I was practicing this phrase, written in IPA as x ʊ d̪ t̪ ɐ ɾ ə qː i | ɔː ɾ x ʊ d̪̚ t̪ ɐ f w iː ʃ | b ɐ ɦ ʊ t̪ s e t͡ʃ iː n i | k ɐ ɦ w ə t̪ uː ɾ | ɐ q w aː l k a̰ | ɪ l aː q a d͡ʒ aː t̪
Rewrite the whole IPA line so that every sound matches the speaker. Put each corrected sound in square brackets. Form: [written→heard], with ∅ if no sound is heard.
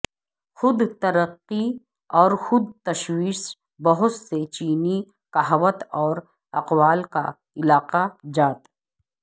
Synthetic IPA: x ʊ d̪ t̪ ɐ ɾ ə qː i | ɔː ɾ x ʊ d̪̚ t̪ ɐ [f→ʃ] w iː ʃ | b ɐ ɦ ʊ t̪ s e t͡ʃ iː n i | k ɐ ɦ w ə t̪ [uː→ɔː] ɾ | ɐ q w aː l k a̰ | ɪ l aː q a d͡ʒ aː t̪